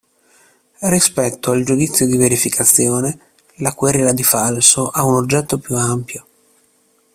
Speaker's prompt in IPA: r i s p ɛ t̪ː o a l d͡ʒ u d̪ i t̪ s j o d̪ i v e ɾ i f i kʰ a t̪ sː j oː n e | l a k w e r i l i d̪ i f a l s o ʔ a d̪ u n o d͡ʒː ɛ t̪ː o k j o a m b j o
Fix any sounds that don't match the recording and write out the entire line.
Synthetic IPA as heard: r i s p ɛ t̪ː o a l d͡ʒ u d̪ i t̪ sː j o d̪ i v e ɾ i f i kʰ a t̪ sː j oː n e | l a k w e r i l a d̪ i f a l s o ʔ a u n o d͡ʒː ɛ t̪ː o p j u a m p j o